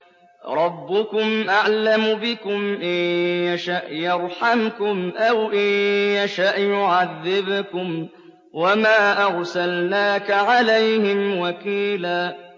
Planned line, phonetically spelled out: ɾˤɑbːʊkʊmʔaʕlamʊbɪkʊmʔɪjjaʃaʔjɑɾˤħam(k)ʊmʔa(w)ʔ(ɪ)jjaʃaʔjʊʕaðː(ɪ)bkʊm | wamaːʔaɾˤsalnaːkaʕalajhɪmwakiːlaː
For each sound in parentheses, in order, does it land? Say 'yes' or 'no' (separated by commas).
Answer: yes, yes, yes, yes